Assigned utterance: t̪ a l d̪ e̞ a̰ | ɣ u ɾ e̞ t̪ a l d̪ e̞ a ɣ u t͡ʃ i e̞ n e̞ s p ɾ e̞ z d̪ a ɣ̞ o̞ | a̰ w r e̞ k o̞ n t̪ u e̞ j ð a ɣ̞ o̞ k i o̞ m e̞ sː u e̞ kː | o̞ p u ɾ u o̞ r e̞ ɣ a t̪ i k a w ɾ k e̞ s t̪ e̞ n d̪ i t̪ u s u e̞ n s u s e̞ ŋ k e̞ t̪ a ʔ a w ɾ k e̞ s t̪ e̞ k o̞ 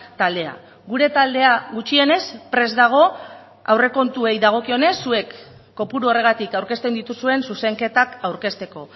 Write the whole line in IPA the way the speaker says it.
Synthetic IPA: t̪ a l d̪ e̞ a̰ | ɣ u ɾ e̞ t̪ a l d̪ e̞ a ɣ u t͡ʃ i e̞ n e̞ s p ɾ e̞ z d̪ a ɣ̞ o̞ | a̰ w r e̞ k o̞ n t̪ u e̞ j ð a ɣ̞ o̞ k i o̞ n e̞ sː u e̞ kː | o̞ p u ɾ u o̞ r e̞ ɣ a t̪ i k a w ɾ k e̞ s t̪ e̞ n d̪ i t̪ u s u e̞ n s u s e̞ ŋ k e̞ t̪ a k a w ɾ k e̞ s t̪ e̞ k o̞